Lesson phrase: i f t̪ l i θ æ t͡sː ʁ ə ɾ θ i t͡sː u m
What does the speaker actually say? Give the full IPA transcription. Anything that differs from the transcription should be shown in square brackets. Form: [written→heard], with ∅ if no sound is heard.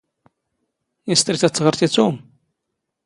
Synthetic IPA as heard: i [f→s] t̪ [l→ɾ] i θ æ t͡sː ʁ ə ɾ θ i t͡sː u m